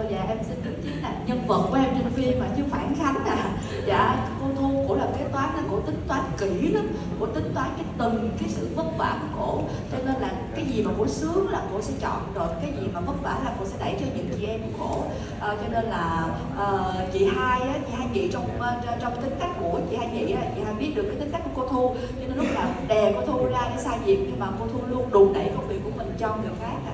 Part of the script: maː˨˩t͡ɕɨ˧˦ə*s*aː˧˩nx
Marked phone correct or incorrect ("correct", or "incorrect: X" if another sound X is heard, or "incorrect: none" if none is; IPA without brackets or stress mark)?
incorrect: f